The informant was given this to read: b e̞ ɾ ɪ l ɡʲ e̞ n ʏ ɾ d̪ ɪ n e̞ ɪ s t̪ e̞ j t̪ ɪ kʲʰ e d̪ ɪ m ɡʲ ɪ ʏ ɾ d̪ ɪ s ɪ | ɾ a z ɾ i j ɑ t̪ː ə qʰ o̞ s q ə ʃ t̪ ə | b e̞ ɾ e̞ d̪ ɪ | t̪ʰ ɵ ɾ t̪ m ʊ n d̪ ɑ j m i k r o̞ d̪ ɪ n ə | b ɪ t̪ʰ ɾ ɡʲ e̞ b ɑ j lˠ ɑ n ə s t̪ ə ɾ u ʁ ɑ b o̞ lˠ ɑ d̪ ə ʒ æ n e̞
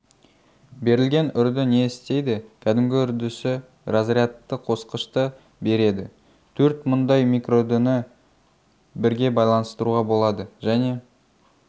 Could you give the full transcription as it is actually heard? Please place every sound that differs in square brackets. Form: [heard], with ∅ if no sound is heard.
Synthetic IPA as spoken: b e̞ ɾ ɪ l ɡʲ e̞ n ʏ ɾ d̪ ɪ n e̞ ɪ s t̪ e̞ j [d̪] ɪ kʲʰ [æ] d̪ ɪ m ɡʲ ɪ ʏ ɾ d̪ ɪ s ɪ | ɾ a z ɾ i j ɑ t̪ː ə qʰ o̞ s q ə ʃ t̪ ə | b e̞ ɾ e̞ d̪ ɪ | t̪ʰ ɵ ɾ t̪ m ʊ n d̪ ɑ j m i k r o̞ d̪ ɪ n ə | b ɪ [∅] ɾ ɡʲ e̞ b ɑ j lˠ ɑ n ə s t̪ ə ɾ u ʁ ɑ b o̞ lˠ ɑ d̪ ə ʒ æ n e̞

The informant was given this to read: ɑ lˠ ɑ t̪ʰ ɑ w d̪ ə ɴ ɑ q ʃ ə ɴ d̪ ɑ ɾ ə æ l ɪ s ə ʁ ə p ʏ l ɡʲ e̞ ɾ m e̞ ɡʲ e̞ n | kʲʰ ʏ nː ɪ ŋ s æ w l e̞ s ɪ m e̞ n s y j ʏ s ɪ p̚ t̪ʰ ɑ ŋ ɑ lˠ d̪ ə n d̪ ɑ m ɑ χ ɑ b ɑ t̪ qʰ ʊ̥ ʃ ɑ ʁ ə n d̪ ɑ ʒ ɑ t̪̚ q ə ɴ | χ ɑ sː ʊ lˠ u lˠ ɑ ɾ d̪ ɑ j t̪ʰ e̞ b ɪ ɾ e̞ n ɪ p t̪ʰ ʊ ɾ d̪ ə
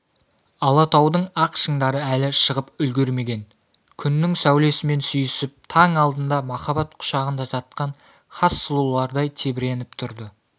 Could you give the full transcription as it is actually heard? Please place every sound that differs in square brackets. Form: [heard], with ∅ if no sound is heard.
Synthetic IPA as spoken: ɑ lˠ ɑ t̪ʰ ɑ w d̪ ə ɴ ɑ q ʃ ə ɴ d̪ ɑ ɾ ə æ l ɪ [ʃ] ə ʁ ə p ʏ l ɡʲ e̞ ɾ m e̞ ɡʲ e̞ n | kʲʰ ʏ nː ɪ ŋ s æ w l e̞ s ɪ m e̞ n s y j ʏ s ɪ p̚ t̪ʰ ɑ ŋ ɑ lˠ d̪ ə n d̪ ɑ m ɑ χ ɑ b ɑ t̪ qʰ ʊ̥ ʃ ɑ ʁ ə n d̪ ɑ ʒ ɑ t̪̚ q [ɑ] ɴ | χ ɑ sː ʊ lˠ u lˠ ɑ ɾ d̪ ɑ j t̪ʰ e̞ b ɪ ɾ e̞ n ɪ p t̪ʰ ʊ ɾ d̪ ə

